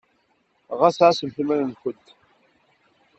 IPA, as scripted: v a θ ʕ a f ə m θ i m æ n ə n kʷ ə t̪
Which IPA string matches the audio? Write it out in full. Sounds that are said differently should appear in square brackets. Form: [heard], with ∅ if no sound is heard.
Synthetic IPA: [ʁ] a [s] ʕ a [s] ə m θ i m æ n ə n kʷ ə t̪